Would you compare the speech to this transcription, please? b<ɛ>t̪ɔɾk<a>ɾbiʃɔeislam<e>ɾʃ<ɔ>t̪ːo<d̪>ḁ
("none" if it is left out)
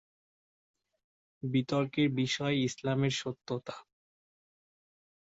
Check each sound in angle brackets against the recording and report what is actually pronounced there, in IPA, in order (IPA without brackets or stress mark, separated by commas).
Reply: i, e, e, o, t̪